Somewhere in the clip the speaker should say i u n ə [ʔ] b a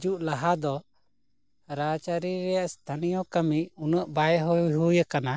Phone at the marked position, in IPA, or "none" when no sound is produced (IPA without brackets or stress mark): ʔ